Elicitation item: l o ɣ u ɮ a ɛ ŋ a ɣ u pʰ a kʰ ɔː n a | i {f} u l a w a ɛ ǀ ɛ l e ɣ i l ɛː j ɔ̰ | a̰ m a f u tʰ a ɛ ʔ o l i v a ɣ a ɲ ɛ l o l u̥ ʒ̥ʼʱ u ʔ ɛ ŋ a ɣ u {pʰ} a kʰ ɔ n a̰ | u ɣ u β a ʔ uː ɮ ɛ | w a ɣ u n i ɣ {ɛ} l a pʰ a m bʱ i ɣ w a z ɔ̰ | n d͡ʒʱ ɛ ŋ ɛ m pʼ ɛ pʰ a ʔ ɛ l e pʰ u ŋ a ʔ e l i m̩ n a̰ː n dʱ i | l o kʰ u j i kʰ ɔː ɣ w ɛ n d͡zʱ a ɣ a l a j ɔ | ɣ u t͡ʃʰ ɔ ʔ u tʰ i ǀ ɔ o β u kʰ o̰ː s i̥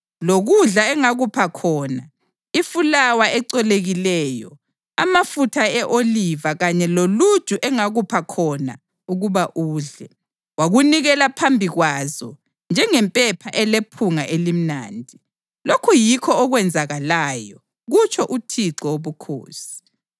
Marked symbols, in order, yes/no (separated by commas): yes, yes, yes